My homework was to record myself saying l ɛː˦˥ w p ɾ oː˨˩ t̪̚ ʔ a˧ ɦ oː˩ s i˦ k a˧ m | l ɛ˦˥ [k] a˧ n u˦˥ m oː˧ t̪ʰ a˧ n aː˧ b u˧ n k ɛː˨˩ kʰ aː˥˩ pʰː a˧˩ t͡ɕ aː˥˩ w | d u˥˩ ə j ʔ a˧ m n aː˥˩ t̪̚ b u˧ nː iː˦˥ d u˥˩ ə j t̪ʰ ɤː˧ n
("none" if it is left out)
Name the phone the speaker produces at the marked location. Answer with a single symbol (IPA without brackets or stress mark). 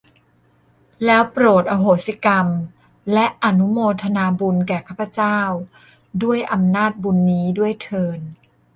ʔ